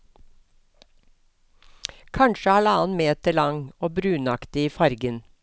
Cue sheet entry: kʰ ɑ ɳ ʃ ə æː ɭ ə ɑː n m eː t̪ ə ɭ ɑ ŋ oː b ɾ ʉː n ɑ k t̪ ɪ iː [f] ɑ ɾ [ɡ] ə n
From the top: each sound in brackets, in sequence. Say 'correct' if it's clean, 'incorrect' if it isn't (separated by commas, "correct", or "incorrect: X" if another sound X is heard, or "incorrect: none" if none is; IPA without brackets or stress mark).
correct, correct